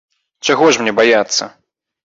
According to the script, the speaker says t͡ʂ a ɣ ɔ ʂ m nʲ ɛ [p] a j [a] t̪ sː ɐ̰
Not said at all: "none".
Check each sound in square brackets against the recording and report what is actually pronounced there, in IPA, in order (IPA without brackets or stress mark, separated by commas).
b, a